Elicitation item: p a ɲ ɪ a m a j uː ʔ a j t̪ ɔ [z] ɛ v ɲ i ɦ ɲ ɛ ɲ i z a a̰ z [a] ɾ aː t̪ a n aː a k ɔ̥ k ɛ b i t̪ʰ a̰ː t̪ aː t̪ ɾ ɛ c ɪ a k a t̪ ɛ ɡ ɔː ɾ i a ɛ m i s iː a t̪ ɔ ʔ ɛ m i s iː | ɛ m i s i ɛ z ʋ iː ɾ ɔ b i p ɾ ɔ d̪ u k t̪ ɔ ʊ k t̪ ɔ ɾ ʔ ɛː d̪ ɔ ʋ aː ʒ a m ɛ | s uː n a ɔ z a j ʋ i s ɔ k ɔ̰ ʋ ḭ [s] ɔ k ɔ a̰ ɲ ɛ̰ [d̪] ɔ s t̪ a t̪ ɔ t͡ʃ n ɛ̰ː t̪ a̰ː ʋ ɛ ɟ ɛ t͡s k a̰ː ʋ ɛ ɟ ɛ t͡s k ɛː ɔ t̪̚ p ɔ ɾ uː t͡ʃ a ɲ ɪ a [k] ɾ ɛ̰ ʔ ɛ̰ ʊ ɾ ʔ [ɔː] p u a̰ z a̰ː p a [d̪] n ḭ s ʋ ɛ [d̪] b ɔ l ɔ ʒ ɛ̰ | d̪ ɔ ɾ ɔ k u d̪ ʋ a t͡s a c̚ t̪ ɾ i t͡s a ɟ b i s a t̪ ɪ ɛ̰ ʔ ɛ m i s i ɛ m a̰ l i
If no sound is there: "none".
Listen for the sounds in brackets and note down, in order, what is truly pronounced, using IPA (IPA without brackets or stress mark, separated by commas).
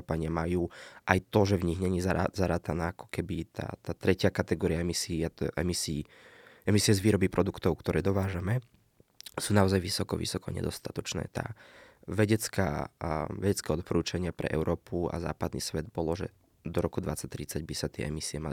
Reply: ʒ, a, s, d̪, p, ɔː, d̪, d̪